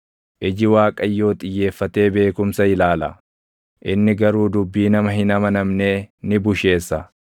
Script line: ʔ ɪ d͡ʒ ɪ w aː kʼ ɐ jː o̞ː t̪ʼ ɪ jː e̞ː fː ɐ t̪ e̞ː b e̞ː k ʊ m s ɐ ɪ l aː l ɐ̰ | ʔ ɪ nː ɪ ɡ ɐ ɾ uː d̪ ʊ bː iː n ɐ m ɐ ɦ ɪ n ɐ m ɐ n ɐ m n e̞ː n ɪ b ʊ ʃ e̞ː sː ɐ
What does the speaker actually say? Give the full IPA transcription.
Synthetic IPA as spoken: ʔ ɪ d͡ʒ ɪ w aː kʼ ɐ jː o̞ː t̪ʼ ɪ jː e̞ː fː ɐ t̪ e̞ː b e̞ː k ʊ m s ɐ ɪ l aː l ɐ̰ | ʔ ɪ nː ɪ ɡ ɐ ɾ uː d̪ ʊ bː iː n ɐ m ɐ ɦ ɪ n ɐ m ɐ n ɐ m n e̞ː n ɪ b ʊ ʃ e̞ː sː ɐ